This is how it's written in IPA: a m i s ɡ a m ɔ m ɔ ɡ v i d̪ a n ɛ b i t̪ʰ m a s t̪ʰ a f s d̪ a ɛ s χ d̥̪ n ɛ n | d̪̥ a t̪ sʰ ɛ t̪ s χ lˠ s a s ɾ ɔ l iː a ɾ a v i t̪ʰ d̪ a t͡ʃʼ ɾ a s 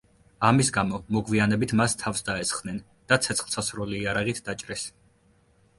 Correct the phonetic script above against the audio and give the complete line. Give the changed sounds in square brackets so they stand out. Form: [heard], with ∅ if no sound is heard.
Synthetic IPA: a m i s ɡ a m ɔ m ɔ ɡ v i [∅] a n ɛ b i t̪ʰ m a s t̪ʰ a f s d̪ a ɛ s χ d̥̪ n ɛ n | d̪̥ a t̪ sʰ ɛ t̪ s χ lˠ s a s ɾ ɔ l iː a ɾ a [ʁ] i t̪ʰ d̪ a t͡ʃʼ ɾ [ɛ] s